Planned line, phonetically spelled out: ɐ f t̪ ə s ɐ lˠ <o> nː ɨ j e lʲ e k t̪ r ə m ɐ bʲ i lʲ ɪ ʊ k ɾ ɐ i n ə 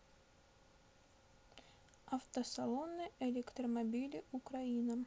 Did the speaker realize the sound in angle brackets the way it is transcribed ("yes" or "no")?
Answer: yes